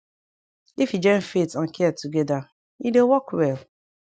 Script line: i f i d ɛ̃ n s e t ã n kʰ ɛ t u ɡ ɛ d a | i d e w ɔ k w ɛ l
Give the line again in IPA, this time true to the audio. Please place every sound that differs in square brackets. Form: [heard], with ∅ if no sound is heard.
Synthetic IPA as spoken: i f i [d͡ʒ] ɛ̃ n [f] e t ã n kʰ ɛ t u ɡ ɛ d a | i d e w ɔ k w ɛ l